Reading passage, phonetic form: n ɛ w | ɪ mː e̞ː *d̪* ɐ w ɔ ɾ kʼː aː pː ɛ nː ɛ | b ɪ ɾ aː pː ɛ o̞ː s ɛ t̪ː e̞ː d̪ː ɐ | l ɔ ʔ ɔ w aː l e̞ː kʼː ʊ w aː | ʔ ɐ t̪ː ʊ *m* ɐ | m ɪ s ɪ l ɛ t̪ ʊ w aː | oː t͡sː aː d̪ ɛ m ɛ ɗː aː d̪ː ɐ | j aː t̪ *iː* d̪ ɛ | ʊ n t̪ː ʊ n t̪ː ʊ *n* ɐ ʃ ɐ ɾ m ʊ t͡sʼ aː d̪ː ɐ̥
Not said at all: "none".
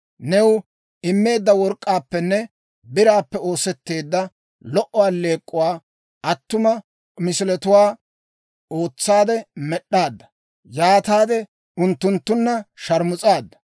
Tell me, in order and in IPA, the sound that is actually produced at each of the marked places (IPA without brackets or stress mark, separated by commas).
d̪ː, m, aː, nː